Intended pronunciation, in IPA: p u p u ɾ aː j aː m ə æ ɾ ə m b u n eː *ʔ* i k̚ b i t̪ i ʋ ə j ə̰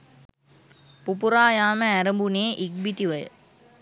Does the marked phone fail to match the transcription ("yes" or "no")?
no